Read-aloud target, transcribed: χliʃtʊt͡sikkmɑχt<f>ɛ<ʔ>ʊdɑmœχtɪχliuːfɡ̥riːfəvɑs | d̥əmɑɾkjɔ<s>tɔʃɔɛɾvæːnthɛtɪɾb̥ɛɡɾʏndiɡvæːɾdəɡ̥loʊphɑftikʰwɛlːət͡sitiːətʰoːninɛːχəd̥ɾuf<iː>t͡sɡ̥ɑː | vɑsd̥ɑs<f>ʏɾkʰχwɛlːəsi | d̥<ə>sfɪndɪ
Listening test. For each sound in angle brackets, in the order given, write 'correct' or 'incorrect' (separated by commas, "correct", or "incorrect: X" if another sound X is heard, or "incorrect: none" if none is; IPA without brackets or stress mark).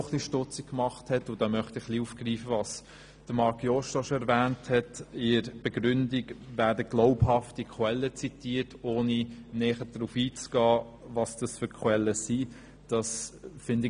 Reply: incorrect: h, incorrect: t, incorrect: ʃ, correct, correct, incorrect: ɑ